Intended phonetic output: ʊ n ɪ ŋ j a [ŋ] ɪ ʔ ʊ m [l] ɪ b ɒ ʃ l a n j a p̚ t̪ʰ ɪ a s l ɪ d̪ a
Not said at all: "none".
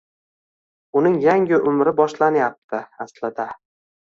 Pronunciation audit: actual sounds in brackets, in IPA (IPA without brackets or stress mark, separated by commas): ŋ, ɾ